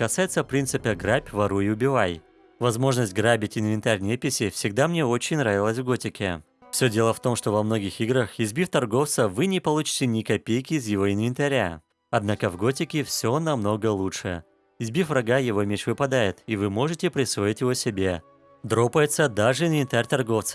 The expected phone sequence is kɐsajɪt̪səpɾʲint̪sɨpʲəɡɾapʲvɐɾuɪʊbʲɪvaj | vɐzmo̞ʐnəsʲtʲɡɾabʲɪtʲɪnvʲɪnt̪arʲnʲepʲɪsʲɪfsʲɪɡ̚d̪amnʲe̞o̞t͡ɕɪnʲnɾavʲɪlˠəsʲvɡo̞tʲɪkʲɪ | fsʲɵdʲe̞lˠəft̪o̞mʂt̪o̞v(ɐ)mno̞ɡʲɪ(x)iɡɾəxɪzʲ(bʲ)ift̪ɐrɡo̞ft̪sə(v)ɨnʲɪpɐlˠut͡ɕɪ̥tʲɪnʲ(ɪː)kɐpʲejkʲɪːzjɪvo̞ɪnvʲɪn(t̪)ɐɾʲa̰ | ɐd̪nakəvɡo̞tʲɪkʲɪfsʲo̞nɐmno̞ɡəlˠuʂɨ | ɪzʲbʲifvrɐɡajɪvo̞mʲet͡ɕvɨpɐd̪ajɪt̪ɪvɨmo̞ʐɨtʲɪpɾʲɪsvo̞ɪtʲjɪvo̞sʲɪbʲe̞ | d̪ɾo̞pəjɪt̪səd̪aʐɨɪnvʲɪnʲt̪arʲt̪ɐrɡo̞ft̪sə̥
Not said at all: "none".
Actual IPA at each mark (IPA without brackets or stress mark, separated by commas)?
ɐ, x, bʲ, v, ɪ, t̪